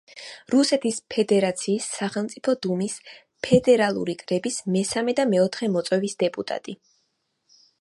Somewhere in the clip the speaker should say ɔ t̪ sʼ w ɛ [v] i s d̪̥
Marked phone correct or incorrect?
correct